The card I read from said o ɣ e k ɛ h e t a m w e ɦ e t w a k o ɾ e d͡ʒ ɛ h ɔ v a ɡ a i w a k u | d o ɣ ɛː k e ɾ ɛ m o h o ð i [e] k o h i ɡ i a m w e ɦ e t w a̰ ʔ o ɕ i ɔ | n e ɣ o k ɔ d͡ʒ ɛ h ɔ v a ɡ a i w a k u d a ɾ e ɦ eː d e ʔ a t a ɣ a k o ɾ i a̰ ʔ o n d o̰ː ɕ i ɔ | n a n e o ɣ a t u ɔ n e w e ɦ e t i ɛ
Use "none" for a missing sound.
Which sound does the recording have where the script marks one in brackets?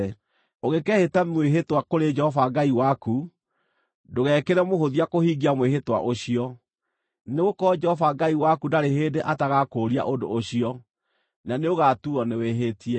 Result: a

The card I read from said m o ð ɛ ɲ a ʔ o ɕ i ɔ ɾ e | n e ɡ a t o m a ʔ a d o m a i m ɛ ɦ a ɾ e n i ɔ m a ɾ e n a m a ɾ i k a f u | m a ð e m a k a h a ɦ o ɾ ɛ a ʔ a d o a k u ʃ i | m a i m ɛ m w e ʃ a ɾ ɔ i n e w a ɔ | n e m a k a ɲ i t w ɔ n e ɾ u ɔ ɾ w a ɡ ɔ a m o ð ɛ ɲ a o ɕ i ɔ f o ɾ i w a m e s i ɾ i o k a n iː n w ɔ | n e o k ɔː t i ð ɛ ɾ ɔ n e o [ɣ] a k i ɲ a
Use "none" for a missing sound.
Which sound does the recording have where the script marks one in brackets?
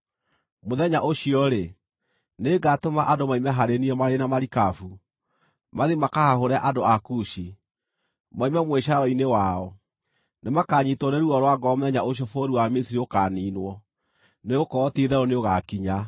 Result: ɣ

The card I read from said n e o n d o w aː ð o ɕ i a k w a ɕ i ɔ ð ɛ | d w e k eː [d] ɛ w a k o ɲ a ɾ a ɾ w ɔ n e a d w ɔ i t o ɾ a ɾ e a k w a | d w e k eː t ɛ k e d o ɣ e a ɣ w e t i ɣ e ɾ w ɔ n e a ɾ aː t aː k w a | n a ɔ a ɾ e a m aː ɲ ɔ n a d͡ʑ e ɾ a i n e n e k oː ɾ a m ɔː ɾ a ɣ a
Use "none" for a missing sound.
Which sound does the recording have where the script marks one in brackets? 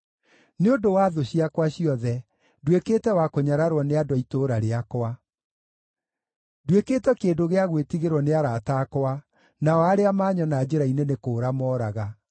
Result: t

